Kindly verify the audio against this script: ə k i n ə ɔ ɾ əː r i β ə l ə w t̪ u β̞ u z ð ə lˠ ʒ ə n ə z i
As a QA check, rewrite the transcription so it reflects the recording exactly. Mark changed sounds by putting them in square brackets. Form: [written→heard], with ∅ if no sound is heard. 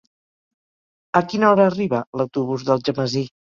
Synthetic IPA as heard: ə k i n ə ɔ ɾ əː r i β ə l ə w t̪ u β̞ u z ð ə lˠ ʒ ə [n→m] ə z i